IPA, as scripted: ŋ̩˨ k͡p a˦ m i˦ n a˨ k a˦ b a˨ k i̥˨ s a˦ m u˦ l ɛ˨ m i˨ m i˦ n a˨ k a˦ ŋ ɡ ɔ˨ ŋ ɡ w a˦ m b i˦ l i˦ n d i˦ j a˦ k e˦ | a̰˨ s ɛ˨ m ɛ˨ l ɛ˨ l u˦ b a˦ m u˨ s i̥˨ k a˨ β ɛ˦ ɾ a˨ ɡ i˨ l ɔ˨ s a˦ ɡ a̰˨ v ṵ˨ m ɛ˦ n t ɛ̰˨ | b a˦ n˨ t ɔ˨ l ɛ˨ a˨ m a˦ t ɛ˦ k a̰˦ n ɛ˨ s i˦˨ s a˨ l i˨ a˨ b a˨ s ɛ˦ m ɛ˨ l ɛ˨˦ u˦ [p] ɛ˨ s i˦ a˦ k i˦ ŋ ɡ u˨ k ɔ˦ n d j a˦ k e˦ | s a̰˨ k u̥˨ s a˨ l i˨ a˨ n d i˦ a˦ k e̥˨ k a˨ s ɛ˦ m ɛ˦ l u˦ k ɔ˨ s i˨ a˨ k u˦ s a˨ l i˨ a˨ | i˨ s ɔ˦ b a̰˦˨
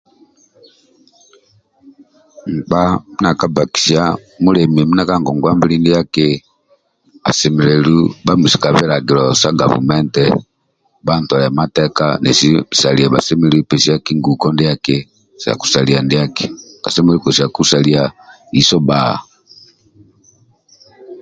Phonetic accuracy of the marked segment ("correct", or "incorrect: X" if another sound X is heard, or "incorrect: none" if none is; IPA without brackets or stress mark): correct